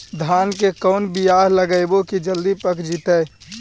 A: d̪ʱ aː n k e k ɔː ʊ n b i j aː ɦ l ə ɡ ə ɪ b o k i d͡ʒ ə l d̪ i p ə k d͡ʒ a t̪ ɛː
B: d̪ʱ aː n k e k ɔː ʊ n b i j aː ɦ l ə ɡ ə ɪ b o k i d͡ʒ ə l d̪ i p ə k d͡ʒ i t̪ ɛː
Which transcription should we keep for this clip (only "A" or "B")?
B